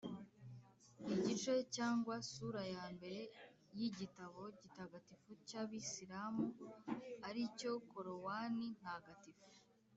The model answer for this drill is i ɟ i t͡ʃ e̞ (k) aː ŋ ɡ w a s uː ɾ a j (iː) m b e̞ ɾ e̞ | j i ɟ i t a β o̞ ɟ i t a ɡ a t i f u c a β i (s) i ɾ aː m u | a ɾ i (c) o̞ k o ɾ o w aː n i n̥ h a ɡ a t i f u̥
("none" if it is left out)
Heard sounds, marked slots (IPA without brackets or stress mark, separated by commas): c, aː, s, c